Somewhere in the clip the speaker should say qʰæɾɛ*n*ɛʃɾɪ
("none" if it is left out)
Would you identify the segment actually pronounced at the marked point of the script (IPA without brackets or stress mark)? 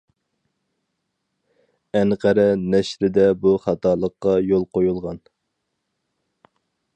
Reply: n